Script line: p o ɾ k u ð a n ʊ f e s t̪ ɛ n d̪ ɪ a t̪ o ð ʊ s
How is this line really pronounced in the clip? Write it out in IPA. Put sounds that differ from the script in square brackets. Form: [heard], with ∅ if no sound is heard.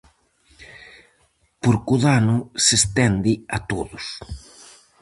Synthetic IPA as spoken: p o ɾ k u ð a n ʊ [s] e s t̪ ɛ n d̪ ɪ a t̪ o ð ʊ s